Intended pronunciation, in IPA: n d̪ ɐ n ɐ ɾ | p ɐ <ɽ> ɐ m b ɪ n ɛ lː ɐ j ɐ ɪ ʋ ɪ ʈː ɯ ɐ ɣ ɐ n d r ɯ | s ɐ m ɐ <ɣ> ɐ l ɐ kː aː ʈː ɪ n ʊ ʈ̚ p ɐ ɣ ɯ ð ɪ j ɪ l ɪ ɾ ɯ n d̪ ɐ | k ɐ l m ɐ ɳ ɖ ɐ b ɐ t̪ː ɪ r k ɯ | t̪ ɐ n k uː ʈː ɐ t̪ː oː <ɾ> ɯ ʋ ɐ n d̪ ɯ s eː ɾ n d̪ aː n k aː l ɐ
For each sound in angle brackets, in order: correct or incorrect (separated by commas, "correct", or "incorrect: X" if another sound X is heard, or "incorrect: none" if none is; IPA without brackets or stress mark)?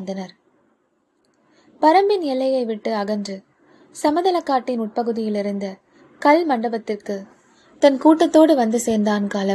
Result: incorrect: ɾ, incorrect: ð, incorrect: ɽ